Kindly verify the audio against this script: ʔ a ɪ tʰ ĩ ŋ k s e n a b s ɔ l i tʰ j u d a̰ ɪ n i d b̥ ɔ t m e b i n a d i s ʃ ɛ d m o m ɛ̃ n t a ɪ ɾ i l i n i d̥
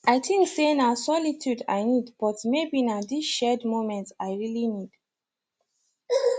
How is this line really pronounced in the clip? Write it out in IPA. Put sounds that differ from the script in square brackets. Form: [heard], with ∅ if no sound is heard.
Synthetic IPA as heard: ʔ a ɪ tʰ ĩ ŋ k s e n a [∅] s ɔ l i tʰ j u d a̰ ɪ n i d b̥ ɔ t m e b i n a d i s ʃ ɛ d m o m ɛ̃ n t a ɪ [ɹ] i l i n i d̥